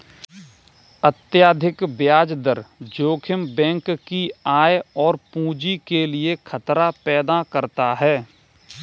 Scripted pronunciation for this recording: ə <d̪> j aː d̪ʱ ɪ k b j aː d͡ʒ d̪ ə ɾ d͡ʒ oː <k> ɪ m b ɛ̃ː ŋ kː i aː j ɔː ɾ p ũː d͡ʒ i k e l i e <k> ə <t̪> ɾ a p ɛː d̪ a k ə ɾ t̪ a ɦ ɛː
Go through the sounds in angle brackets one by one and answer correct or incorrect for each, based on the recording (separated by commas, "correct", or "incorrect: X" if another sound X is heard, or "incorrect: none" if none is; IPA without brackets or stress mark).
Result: incorrect: t̪, incorrect: kʰ, incorrect: kʰ, correct